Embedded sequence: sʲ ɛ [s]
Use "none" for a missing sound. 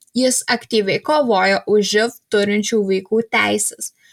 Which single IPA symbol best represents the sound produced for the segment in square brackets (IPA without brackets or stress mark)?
s